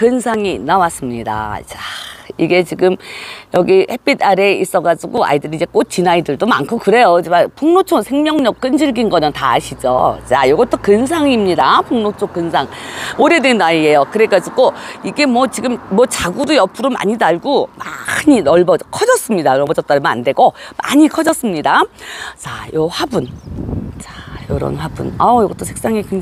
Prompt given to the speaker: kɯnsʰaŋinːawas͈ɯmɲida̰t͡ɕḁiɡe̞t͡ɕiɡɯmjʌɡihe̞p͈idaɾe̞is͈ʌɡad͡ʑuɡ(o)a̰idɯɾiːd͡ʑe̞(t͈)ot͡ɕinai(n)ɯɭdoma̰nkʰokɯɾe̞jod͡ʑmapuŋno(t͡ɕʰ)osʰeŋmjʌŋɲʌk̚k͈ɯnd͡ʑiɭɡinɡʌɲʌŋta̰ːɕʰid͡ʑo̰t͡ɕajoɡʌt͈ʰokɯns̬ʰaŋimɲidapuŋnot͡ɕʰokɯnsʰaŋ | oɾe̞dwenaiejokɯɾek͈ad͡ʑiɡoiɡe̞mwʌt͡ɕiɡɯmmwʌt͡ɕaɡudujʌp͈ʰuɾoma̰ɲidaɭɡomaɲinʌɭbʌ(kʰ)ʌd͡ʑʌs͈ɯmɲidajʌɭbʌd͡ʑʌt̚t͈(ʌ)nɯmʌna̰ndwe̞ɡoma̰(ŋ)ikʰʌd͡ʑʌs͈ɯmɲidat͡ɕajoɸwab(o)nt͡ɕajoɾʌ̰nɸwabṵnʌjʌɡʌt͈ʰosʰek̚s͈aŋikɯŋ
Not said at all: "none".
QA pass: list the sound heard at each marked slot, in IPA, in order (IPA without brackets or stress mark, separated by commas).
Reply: o, k͈, d, t͡ɕʰ, kʰ, a, ɲ, u